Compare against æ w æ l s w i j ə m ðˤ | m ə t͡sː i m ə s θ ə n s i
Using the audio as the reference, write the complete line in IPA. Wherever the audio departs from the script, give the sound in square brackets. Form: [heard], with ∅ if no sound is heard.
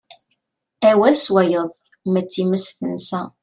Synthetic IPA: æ w æ l s w [æ] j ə [∅] ðˤ | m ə t͡sː i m ə s θ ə n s [æ]

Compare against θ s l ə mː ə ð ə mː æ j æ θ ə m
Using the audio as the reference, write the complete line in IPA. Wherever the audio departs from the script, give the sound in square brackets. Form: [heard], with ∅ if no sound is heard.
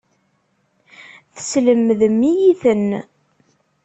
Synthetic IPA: θ s l ə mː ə ð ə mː [i] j [i] θ ə [n]

